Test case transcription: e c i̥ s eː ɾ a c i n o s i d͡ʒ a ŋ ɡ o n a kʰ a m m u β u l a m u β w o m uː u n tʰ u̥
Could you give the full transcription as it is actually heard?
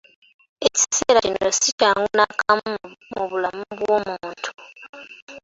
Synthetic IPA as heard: e c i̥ s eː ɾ a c i n o s i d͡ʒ a ŋ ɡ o n a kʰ a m m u β u l a m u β w o m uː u n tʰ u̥